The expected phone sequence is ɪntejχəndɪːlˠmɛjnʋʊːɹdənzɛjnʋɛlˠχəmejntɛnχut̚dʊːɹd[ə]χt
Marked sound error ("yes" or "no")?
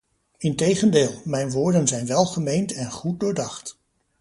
yes